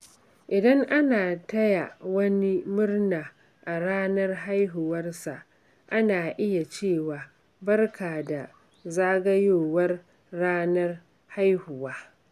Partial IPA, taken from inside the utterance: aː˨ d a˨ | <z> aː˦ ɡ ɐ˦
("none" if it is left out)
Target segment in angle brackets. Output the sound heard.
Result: z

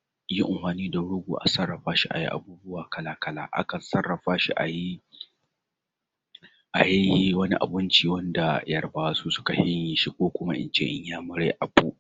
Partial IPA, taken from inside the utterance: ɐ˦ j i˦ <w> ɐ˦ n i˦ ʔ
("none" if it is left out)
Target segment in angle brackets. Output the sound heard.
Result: w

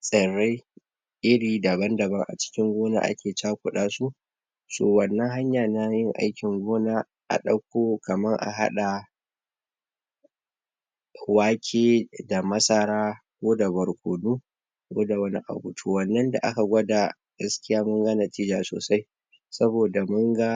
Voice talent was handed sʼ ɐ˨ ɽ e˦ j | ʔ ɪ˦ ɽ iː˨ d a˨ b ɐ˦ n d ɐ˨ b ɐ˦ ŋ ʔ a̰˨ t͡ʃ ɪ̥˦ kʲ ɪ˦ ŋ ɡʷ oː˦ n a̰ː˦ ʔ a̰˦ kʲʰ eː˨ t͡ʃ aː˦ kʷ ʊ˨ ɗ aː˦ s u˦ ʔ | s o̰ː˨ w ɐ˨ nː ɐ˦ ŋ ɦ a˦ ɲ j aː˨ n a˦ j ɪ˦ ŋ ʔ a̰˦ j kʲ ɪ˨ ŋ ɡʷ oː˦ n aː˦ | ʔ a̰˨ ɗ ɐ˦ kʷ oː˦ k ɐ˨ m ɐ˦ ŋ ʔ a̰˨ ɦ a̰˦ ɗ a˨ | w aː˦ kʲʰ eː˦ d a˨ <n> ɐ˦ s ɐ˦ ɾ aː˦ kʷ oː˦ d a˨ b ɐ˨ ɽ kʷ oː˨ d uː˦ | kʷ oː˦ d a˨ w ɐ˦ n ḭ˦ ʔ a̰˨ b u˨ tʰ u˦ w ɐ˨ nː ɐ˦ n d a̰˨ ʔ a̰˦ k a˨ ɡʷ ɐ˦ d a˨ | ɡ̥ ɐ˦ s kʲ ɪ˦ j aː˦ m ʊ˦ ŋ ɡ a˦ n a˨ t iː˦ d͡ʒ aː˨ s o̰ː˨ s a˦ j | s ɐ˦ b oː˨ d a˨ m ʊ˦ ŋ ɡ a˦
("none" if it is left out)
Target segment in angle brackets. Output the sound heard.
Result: m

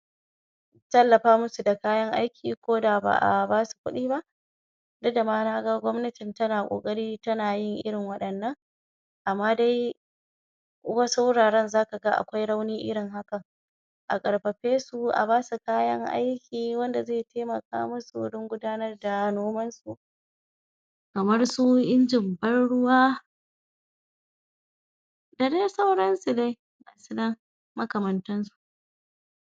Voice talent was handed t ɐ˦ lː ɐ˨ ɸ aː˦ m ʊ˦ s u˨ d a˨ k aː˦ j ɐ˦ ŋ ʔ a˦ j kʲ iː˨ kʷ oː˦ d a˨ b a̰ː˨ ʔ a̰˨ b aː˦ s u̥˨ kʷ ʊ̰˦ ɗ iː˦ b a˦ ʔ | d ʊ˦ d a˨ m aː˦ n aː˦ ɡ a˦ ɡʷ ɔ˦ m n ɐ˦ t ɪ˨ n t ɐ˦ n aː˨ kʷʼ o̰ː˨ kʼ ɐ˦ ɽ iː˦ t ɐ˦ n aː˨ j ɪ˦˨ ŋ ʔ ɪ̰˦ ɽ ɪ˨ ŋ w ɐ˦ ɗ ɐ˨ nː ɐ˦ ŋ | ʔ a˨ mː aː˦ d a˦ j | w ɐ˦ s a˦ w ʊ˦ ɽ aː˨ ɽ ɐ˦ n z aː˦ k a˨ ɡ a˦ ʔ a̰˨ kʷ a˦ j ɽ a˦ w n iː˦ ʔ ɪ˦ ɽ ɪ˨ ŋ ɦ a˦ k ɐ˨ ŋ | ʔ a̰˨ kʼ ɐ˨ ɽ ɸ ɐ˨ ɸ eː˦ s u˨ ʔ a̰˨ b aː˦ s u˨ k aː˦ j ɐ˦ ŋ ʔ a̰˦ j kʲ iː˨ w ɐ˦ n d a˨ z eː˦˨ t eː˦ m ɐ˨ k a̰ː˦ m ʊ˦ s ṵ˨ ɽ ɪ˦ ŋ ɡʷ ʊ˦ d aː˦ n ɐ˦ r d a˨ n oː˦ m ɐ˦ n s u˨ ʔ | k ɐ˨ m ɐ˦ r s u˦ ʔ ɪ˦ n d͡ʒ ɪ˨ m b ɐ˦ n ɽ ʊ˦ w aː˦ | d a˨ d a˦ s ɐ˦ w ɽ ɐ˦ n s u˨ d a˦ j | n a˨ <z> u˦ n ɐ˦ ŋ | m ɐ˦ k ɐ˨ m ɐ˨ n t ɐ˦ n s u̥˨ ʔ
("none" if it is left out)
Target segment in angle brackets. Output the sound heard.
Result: s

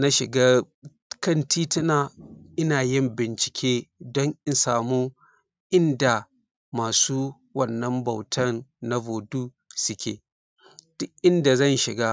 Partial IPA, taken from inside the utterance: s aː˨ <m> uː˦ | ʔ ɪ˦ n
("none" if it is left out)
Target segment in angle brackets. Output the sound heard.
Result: m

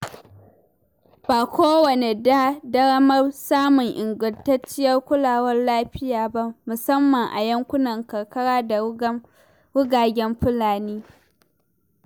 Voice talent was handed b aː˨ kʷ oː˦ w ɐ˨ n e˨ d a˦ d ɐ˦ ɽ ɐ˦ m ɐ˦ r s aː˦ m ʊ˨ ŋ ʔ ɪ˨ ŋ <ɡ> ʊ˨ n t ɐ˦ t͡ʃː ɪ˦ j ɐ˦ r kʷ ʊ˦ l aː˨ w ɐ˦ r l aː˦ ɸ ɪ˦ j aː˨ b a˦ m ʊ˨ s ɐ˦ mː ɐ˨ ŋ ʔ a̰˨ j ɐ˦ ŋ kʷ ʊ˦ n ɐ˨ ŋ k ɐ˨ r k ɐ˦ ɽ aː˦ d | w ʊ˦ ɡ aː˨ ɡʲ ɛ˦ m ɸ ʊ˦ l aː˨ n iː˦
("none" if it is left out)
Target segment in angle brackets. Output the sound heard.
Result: ɡ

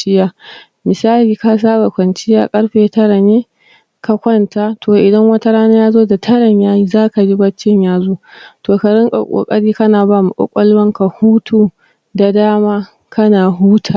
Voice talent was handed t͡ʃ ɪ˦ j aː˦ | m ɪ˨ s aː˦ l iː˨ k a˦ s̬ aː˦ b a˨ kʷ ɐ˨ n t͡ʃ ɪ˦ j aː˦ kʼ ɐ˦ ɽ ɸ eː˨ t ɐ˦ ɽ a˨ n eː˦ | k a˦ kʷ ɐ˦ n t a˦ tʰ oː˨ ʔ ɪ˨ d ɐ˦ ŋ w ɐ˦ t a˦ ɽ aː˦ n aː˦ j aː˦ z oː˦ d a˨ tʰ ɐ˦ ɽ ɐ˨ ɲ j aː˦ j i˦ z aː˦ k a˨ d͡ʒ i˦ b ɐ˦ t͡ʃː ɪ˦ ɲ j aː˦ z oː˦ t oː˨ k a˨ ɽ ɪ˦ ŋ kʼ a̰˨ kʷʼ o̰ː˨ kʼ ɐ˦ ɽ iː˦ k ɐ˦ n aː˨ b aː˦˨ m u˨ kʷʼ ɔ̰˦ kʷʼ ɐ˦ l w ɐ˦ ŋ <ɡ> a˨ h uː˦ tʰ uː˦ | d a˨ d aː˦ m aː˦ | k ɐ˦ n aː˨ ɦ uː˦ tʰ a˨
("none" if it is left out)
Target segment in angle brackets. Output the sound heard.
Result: k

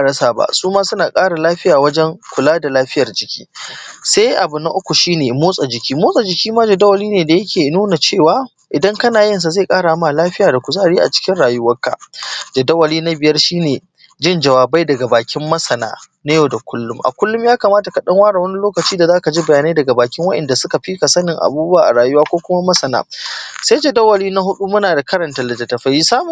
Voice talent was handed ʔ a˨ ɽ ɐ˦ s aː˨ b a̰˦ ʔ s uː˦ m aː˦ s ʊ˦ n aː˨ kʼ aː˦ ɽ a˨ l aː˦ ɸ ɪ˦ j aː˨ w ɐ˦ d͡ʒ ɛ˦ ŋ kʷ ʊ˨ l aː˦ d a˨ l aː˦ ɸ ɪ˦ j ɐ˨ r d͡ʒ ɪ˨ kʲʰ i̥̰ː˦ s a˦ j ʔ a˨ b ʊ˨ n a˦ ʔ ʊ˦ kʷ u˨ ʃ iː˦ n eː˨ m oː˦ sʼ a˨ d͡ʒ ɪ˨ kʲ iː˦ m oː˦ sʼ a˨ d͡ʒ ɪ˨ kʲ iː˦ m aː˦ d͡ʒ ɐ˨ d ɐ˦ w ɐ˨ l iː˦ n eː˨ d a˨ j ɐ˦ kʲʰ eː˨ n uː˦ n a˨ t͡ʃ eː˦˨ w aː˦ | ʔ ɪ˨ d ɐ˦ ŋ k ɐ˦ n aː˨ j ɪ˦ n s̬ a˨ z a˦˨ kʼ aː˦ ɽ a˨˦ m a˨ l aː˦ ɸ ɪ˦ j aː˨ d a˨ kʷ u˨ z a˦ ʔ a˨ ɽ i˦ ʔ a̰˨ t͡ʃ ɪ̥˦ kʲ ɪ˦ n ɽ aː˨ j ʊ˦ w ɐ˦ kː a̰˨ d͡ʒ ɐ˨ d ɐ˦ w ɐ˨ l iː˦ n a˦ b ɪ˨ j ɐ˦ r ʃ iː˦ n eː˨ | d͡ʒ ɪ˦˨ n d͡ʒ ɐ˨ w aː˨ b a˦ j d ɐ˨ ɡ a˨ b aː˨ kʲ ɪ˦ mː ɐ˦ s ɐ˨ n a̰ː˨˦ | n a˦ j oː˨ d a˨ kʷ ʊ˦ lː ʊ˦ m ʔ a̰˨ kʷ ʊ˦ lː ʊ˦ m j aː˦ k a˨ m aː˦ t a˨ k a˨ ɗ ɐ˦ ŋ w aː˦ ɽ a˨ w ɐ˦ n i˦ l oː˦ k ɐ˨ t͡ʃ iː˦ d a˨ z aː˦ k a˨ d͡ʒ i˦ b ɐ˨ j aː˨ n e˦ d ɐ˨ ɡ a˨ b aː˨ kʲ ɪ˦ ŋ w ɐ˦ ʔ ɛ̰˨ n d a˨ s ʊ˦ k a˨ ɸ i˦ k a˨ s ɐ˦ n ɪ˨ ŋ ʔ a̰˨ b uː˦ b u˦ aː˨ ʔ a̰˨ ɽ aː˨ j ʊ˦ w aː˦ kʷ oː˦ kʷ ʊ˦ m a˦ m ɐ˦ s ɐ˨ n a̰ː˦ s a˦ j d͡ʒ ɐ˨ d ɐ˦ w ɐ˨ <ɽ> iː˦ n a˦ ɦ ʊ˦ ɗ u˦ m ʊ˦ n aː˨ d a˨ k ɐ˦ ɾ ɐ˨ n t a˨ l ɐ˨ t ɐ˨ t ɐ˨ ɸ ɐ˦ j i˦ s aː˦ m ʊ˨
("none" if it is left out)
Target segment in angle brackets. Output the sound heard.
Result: l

